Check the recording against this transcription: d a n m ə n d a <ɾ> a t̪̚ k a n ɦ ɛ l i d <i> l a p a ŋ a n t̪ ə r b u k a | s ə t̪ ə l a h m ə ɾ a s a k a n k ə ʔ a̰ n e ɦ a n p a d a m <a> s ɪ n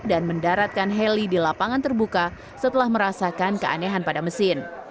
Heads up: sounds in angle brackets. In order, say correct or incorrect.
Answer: correct, correct, incorrect: ə

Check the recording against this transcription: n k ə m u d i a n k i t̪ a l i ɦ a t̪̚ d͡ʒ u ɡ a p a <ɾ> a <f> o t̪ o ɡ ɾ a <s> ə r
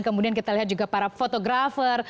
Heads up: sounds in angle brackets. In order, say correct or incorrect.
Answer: correct, correct, incorrect: f

